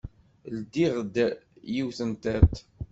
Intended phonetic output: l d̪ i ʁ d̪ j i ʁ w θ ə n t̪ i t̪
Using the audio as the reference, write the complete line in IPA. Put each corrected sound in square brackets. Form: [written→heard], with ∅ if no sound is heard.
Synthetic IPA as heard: l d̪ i ʁ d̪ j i [ʁ→∅] w θ ə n t̪ [i→æ] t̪